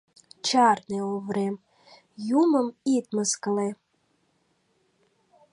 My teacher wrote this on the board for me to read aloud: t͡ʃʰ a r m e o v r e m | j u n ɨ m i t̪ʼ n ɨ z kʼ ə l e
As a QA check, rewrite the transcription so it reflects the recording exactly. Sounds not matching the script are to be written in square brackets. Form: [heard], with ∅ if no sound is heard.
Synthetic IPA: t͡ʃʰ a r [n] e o v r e m | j u [m] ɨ m i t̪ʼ [m] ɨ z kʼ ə l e